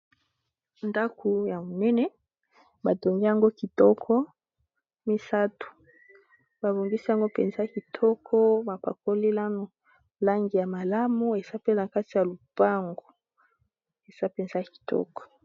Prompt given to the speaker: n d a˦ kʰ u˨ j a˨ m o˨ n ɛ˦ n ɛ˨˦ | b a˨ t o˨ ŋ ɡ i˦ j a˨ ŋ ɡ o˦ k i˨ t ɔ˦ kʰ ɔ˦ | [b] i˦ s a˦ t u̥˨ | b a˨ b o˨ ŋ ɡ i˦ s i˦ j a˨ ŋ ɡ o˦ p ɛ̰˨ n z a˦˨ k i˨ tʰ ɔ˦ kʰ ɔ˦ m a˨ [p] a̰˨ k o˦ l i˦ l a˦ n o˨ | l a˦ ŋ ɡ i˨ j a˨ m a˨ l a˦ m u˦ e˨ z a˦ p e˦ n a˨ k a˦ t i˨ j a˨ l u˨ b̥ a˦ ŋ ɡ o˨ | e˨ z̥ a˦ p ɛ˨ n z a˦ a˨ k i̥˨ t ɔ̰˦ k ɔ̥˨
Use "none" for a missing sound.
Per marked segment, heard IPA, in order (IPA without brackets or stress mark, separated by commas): m, p